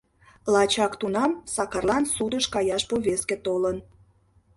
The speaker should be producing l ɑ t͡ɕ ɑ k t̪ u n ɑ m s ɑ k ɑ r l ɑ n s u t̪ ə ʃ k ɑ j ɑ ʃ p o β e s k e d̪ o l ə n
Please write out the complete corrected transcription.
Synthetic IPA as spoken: l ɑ t͡ɕ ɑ k t̪ u n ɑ m s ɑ k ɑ r l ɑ n s u d̪ ə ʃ k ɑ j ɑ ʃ p o β e s k e t̪ o l ə n